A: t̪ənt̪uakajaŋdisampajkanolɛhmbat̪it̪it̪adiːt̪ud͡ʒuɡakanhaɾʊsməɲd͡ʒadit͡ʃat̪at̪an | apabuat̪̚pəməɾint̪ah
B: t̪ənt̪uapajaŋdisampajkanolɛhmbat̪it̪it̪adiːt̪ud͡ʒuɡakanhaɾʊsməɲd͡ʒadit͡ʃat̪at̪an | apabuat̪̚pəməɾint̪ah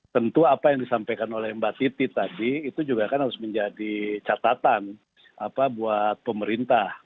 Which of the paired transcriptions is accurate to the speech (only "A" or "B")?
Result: B